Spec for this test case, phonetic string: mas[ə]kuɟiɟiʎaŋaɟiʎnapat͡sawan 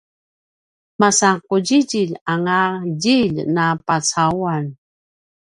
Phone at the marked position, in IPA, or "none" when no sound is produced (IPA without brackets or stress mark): a